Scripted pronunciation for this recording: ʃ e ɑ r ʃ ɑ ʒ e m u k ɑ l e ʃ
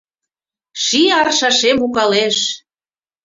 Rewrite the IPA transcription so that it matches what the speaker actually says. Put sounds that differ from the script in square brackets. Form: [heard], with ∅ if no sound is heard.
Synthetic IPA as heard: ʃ [i] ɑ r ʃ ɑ [ʃ] e m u k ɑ l e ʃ